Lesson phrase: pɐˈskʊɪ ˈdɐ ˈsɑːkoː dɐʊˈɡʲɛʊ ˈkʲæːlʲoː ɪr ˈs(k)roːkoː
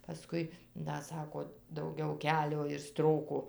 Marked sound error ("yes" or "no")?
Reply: yes